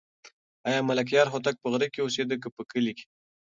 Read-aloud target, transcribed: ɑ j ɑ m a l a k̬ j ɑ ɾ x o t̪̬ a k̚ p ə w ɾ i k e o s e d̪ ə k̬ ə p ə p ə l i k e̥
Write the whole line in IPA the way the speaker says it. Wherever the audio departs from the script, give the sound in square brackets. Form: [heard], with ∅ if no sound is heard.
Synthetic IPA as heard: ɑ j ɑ m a l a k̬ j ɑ ɾ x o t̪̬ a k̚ p ə [ɣ] ɾ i k e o s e d̪ ə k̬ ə p ə [k] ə l i k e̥